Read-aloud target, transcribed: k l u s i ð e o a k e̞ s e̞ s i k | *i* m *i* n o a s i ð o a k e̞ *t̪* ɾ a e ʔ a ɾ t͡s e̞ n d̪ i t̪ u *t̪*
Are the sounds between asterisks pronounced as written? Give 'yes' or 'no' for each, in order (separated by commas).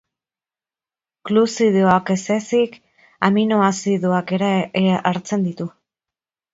no, yes, no, no